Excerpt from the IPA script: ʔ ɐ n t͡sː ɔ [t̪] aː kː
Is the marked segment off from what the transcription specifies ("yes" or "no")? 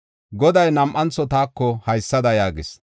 no